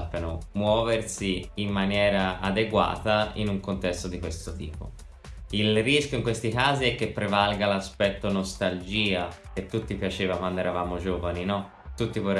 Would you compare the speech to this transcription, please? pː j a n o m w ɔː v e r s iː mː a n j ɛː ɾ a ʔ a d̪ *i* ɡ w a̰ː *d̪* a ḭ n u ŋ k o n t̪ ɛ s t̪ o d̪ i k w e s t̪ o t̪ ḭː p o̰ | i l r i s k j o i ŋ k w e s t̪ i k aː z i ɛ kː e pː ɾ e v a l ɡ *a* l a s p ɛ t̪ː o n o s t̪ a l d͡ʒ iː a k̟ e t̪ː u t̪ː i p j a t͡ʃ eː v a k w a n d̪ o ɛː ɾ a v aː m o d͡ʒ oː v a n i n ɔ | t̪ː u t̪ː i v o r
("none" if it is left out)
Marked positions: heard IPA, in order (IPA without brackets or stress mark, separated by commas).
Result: e, t̪, a